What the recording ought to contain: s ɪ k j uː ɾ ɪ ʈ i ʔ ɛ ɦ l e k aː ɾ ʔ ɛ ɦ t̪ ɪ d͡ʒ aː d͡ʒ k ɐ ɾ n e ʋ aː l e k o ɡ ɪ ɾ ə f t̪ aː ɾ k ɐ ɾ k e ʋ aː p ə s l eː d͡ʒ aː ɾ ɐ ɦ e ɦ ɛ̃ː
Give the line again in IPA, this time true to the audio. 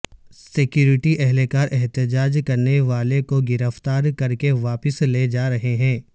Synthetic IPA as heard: s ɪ k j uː ɾ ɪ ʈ i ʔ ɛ ɦ l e k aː ɾ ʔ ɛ ɦ t̪ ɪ d͡ʒ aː d͡ʒ k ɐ ɾ n e ʋ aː l e k o ɡ ɪ ɾ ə f t̪ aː ɾ k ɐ ɾ k e ʋ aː p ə s l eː d͡ʒ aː ɾ ɐ ɦ e ɦ ɛ̃ː